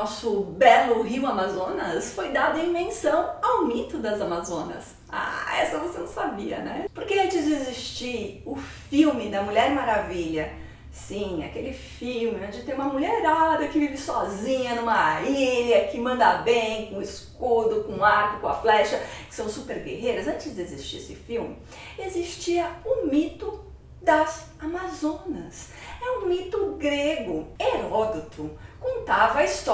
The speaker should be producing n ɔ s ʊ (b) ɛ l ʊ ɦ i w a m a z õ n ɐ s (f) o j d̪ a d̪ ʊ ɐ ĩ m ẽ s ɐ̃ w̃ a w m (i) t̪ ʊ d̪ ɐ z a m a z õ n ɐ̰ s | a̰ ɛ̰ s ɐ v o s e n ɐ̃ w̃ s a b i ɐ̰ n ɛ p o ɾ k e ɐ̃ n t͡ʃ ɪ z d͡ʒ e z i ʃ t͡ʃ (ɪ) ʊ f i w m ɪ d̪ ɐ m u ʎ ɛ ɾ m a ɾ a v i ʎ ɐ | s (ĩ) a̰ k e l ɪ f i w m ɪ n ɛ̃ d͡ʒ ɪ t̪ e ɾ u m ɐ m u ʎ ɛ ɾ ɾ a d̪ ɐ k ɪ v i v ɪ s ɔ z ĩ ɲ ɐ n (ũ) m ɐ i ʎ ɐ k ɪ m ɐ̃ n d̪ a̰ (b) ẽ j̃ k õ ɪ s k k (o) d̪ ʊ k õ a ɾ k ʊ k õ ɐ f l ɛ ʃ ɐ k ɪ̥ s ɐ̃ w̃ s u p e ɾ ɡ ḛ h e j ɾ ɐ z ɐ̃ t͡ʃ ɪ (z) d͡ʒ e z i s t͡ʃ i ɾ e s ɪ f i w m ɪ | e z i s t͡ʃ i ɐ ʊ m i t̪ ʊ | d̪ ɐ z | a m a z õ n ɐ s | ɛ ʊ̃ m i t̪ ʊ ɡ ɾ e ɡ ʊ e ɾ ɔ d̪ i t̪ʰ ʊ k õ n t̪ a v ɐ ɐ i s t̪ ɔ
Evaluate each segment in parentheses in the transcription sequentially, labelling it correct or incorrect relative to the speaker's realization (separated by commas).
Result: correct, correct, correct, incorrect, correct, correct, correct, correct, correct